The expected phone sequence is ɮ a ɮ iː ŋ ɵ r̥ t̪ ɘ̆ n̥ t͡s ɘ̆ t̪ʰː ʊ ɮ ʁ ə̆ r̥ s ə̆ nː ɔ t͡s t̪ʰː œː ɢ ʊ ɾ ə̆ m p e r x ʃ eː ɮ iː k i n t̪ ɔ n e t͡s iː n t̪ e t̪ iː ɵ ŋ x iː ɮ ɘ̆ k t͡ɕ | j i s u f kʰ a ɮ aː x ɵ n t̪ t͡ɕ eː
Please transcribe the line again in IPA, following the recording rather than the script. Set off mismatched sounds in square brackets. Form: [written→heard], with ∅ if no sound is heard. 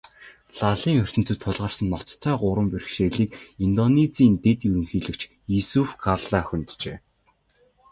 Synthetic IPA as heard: ɮ a ɮ iː ŋ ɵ r̥ t̪ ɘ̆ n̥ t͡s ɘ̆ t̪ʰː ʊ ɮ ʁ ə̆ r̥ s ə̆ nː ɔ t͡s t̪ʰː œː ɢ ʊ ɾ ə̆ m p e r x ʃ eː ɮ iː k i n t̪ ɔ n e t͡s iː n t̪ e t̪ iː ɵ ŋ x iː ɮ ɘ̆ k t͡ɕ | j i s u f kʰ a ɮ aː x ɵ n t̪ t͡ɕ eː